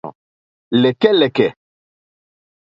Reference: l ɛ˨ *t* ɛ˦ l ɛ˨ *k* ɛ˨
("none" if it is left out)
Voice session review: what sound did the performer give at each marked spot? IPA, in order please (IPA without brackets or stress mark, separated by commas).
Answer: k, k